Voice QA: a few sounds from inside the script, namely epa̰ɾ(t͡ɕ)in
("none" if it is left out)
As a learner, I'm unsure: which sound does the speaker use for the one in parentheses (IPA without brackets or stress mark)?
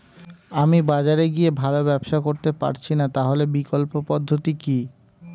t͡ɕʰ